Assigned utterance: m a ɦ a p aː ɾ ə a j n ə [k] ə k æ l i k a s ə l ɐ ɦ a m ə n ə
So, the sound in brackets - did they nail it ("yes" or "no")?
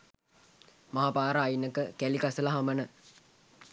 yes